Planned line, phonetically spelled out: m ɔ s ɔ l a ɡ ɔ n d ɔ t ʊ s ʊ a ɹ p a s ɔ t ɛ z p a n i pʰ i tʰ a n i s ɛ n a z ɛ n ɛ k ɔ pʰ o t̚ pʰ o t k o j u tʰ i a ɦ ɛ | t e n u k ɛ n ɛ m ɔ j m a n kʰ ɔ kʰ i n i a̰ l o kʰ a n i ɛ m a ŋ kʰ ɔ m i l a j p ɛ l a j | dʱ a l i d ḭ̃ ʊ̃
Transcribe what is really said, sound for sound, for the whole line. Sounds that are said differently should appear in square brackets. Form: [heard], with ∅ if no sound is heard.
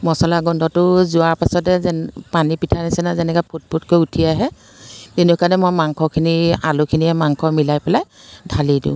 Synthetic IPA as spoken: m ɔ s ɔ l a ɡ ɔ n d ɔ t ʊ [z] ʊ a ɹ p a s ɔ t ɛ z p a n i [p] i tʰ a n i s ɛ n a z ɛ n ɛ k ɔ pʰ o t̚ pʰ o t k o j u tʰ i a ɦ ɛ | t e n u k [a] n ɛ m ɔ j m a [ŋ] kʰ ɔ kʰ i n i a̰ l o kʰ [i] n i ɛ m a ŋ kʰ ɔ m i l a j p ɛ l a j | dʱ a l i d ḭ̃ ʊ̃